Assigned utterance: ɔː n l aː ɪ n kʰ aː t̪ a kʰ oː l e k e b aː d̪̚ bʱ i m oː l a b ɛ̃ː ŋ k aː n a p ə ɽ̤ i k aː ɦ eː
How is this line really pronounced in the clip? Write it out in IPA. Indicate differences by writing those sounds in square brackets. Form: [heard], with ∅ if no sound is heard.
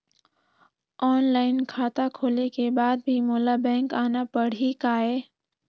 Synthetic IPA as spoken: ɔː n l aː ɪ n kʰ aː t̪ a kʰ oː l e k e b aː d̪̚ bʱ i m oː l a b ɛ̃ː ŋ k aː n a p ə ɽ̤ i k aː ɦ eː